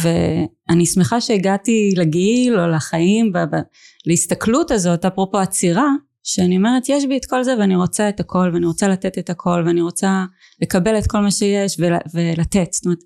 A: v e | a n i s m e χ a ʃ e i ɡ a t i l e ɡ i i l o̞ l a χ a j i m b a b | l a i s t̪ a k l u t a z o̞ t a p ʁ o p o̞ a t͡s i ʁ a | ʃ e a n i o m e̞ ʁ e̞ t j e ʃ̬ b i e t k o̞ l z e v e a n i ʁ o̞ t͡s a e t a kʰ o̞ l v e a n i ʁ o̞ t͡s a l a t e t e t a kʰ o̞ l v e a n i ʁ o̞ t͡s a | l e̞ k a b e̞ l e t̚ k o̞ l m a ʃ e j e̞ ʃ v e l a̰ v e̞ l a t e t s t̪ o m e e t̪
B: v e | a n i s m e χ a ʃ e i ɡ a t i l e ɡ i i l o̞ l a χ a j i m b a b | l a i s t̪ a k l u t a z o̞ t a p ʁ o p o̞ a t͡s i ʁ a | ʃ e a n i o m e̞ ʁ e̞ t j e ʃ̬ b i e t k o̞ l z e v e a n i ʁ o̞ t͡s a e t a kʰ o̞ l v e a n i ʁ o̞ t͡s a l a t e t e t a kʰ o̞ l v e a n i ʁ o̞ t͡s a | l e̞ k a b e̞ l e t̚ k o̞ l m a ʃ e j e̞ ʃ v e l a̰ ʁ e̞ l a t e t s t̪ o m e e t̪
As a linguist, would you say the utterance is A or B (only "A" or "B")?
A